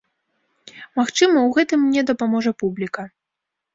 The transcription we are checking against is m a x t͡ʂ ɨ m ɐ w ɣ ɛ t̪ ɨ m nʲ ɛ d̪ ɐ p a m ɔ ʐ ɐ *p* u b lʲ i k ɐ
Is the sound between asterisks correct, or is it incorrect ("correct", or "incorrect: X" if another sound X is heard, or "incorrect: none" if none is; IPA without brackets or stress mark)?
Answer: correct